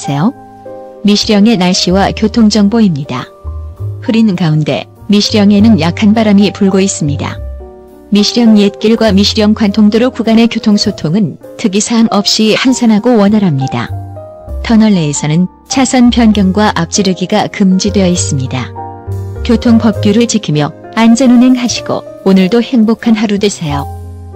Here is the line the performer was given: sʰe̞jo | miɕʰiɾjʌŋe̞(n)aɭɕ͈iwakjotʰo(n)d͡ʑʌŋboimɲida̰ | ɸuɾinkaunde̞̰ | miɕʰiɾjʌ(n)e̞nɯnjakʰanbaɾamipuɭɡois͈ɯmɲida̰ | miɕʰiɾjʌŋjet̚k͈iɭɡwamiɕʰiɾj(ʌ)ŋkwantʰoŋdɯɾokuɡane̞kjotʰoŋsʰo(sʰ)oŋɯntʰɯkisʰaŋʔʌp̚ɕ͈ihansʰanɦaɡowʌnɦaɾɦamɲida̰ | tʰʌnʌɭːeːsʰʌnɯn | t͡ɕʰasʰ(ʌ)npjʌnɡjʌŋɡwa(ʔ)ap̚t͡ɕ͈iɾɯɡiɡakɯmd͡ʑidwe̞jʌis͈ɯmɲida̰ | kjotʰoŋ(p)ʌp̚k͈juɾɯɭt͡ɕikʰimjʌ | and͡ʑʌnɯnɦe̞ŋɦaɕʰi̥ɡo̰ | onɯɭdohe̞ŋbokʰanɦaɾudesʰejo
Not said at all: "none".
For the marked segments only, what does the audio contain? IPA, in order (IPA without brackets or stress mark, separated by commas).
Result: n, ŋ, ŋ, ʌ, tʰ, ʌ, ʔ, p